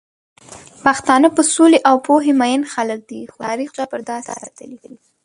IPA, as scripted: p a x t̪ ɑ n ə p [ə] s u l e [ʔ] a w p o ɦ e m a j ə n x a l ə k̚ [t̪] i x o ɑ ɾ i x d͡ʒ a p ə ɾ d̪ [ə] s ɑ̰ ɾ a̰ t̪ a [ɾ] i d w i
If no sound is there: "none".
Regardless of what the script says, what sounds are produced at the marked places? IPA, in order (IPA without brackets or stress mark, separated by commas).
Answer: ə, ʔ, d̪, ɑ, l